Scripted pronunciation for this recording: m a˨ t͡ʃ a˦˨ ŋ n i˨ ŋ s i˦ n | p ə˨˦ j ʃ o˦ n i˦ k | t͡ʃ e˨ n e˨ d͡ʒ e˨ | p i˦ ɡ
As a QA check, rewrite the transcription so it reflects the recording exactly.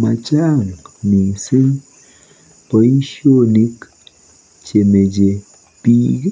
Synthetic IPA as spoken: m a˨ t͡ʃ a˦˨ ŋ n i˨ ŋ s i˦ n | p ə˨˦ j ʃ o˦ n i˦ k | t͡ʃ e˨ m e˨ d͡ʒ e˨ | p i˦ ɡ